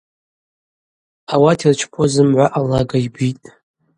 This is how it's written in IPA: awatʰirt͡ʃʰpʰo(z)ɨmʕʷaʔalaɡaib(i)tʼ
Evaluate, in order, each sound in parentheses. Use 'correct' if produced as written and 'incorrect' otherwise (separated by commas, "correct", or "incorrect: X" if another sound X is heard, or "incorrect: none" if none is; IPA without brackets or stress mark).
correct, correct